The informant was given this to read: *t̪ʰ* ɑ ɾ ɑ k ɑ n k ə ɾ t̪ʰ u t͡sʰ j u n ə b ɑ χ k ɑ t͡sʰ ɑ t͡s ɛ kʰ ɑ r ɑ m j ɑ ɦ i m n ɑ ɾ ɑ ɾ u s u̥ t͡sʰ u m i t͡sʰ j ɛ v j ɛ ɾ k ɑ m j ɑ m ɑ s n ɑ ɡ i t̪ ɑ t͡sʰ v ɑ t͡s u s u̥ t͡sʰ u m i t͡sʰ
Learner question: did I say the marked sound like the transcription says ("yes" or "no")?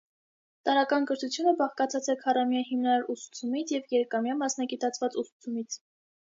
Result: no